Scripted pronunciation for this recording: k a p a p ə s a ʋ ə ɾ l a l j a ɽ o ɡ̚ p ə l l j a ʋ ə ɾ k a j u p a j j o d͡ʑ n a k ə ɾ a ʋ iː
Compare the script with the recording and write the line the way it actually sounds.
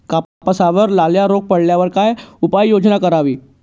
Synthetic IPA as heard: k a p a p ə s a ʋ ə ɾ l a l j a ɾ o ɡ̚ p ə ɽ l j a ʋ ə ɾ k a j u p a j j o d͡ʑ n a k ə ɾ a ʋ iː